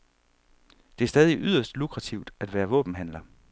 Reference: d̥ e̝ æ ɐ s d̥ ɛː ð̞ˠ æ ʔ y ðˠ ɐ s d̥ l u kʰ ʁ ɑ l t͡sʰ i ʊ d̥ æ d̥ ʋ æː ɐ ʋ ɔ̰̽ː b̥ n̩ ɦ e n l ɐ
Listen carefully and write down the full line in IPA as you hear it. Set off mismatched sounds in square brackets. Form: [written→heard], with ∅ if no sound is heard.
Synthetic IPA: d̥ e̝ æ ɐ s d̥ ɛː ð̞ˠ [æ→i] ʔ y ðˠ ɐ s d̥ l u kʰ ʁ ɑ [l→∅] t͡sʰ i ʊ d̥ æ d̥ ʋ æː ɐ ʋ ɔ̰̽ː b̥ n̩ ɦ [e→æ] n l ɐ